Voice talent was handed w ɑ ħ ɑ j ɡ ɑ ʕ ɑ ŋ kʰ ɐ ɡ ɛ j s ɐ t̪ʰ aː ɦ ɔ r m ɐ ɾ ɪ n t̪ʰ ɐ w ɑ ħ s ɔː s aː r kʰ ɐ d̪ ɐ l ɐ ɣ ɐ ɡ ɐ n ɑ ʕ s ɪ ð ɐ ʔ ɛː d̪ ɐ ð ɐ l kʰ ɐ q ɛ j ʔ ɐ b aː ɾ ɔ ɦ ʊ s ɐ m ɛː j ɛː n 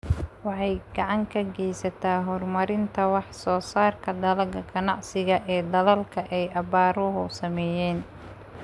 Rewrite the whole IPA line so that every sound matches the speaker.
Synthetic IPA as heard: w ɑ ħ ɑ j ɡ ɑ ʕ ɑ ŋ kʰ ɐ ɡ ɛ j s ɐ t̪ʰ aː ɦ ɔ r m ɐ ɾ ɪ n t̪ʰ ɐ w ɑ ħ s ɔː s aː r kʰ ɐ d̪ ɐ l ɐ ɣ ɐ ɡ ɐ n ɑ ʕ s ɪ ɣ ɐ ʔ ɛː d̪ ɐ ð ɐ l kʰ ɐ ʔ ɛ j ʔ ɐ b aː ɾ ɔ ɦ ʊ s ɐ m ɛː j ɛː n